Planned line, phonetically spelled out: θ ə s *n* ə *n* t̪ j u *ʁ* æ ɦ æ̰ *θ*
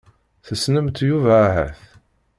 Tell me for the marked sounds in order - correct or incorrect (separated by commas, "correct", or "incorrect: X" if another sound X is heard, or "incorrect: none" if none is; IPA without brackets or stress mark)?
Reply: correct, incorrect: m, incorrect: v, correct